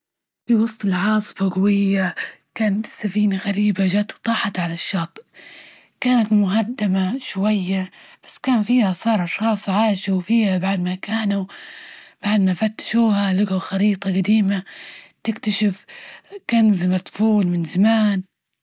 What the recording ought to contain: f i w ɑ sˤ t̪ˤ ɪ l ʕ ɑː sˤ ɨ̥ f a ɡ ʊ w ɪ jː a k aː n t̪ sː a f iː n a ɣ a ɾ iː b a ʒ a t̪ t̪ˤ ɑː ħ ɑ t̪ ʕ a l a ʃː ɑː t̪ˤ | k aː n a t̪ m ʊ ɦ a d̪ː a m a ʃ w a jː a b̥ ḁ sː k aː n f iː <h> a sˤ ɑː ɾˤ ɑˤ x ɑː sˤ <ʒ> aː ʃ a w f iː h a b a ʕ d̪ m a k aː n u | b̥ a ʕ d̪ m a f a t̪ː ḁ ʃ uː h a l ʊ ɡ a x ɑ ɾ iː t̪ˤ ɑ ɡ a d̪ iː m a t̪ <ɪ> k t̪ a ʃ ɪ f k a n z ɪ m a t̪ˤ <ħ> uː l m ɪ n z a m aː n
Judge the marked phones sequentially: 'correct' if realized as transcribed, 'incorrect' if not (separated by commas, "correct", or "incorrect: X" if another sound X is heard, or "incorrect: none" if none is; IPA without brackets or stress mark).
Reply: correct, incorrect: ʕ, correct, incorrect: f